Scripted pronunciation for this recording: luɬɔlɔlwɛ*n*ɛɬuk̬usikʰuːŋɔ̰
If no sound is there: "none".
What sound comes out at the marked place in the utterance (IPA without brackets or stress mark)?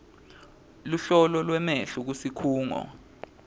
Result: m